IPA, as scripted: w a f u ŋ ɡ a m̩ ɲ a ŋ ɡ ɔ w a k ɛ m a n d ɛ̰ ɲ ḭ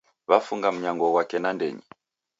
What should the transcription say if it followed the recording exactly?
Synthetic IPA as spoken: β a f u ŋ ɡ a m̩ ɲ a ŋ ɡ ɔ w a k ɛ n a n d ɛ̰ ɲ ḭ